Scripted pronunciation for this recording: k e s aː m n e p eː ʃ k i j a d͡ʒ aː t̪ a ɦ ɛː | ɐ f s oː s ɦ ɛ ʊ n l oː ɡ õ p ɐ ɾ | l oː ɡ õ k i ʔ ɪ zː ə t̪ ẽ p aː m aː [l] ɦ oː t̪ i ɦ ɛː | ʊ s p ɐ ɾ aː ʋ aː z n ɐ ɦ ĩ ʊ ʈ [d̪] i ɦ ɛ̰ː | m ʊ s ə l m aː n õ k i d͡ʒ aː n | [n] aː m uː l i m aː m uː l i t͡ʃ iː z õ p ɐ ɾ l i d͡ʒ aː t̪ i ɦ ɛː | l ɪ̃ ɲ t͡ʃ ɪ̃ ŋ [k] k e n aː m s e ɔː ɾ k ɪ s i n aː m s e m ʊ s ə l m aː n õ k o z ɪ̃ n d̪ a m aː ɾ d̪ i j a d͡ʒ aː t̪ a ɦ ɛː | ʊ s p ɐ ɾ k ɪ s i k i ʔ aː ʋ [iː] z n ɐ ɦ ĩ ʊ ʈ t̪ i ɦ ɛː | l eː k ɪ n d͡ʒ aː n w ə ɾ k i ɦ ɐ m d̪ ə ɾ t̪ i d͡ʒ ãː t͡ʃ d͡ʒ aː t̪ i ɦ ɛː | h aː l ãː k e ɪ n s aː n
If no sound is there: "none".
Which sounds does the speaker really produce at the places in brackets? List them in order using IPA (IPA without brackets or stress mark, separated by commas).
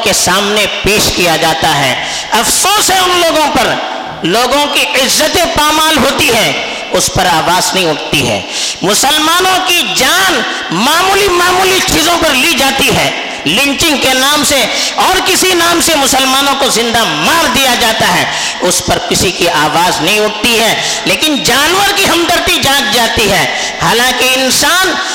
l, t̪, m, ɡ, aː